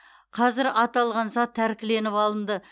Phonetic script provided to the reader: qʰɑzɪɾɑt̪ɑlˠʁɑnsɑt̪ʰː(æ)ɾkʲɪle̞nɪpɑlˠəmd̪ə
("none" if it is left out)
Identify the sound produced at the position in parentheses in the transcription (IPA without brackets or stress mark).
æ